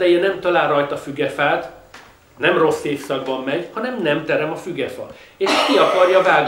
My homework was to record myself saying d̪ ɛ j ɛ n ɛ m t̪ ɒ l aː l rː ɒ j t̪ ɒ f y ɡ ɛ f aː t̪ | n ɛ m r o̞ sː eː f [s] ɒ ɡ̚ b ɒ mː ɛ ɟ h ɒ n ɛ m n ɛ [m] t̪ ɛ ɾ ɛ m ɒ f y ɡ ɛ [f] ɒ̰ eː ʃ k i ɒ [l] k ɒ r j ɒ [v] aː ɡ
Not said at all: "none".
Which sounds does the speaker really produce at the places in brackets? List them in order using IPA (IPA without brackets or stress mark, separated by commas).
s, m, f, none, v